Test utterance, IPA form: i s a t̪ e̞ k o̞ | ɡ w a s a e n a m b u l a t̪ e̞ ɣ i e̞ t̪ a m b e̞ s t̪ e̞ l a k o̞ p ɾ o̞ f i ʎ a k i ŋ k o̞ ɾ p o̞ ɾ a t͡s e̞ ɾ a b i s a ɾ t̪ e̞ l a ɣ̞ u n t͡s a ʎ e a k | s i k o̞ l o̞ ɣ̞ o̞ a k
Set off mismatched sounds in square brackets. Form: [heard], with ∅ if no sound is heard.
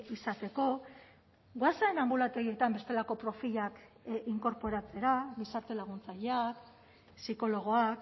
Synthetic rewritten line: i s a t̪ e̞ k o̞ | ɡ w a s a e n a m b u l a t̪ e̞ ɣ i e̞ t̪ a m b e̞ s t̪ e̞ l a k o̞ p ɾ o̞ f i ʎ a k i ŋ k o̞ ɾ p o̞ ɾ a t͡s e̞ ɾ a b i s a ɾ t̪ e̞ l a ɣ̞ u n t͡s a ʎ e a k | s i k o̞ l o̞ ɣ̞ o̞ a k